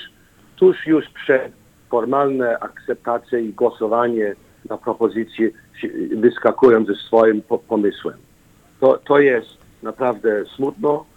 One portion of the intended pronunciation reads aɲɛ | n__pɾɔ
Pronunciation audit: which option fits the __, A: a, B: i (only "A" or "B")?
A